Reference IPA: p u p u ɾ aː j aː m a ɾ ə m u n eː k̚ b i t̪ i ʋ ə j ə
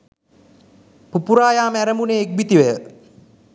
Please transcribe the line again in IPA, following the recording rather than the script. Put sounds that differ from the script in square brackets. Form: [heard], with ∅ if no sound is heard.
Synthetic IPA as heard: p u p u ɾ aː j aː m [æ] ɾ ə m u n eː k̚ b i t̪ i ʋ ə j ə